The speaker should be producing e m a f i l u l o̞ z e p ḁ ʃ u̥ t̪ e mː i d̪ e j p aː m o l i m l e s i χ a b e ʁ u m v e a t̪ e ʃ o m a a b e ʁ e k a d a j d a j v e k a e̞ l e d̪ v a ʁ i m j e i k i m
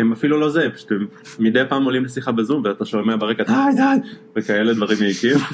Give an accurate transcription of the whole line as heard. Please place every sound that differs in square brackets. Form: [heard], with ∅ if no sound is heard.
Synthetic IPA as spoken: e m a f i l u l o̞ z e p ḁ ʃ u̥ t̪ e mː i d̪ e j p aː m o l i m l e s i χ a b e [z] u m v e a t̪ [a] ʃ o m [e] a b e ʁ e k a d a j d a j v e k a e̞ l e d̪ v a ʁ i m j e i k i m